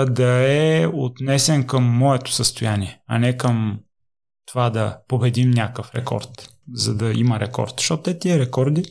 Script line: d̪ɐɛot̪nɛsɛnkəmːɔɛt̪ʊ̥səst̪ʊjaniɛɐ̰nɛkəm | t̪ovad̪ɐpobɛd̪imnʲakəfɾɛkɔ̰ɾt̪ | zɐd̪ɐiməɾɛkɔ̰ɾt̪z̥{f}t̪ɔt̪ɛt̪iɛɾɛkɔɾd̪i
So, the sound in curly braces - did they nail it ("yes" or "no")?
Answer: no